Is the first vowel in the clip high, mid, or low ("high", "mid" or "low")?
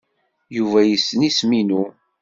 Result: high